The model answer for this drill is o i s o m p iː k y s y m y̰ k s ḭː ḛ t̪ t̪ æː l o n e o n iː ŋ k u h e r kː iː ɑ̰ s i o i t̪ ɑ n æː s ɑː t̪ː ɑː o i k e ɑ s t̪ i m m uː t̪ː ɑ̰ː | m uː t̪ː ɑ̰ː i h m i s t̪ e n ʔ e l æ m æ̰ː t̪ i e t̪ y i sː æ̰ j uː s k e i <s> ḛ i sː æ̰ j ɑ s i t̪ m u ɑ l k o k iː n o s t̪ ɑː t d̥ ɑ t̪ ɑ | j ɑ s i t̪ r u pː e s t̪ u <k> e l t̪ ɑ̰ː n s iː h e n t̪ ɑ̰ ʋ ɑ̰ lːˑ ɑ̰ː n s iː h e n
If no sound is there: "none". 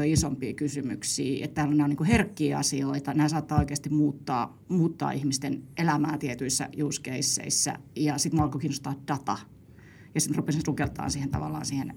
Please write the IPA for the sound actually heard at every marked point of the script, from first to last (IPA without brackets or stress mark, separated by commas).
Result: sː, k